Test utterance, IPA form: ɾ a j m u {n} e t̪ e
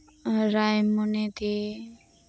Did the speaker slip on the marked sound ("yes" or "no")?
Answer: no